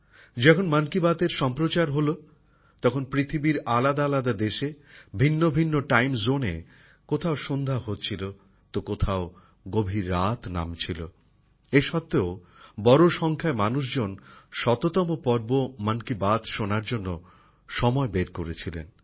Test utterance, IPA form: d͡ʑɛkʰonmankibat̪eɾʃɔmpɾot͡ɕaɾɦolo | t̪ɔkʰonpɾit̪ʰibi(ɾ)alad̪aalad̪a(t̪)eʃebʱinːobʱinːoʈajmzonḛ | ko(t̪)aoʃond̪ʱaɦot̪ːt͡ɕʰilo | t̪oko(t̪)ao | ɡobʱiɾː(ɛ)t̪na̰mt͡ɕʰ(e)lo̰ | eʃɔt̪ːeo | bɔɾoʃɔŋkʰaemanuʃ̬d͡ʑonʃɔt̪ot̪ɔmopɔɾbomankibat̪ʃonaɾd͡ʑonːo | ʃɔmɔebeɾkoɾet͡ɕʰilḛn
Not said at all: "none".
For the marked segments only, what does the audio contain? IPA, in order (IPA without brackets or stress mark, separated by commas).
ɾ, d̪, t̪ʰ, t̪ʰ, a, i